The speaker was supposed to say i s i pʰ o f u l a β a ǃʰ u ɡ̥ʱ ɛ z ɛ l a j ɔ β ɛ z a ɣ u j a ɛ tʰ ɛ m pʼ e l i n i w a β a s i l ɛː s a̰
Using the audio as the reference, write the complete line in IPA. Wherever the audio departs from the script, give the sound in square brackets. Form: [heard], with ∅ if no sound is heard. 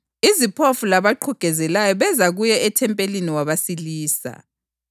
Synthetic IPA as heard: i [z] i pʰ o f u l a β a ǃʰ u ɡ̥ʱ ɛ z ɛ l a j ɔ β ɛ z a ɣ u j [ɛ] ɛ tʰ ɛ m pʼ e l i n i w a β a s i l [iː] s a̰